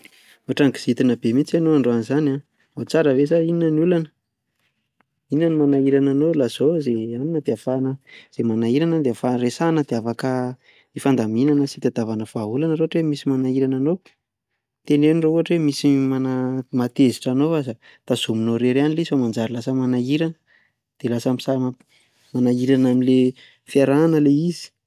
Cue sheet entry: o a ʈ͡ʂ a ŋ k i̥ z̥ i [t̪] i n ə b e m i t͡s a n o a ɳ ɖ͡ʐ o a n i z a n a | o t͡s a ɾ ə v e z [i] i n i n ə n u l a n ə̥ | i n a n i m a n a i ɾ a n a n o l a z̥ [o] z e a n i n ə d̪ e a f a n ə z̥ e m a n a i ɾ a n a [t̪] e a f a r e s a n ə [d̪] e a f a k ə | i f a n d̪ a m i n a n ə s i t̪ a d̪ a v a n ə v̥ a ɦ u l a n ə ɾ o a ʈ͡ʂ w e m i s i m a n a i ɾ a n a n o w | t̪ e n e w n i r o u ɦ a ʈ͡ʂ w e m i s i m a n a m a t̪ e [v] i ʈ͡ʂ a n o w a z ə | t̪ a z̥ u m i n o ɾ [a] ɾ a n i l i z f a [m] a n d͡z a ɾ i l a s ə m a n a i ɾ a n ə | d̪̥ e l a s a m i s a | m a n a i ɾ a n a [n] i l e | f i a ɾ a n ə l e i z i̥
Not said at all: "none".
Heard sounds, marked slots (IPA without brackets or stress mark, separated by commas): t̪, a, o, d̪, d̪, z, e, m, m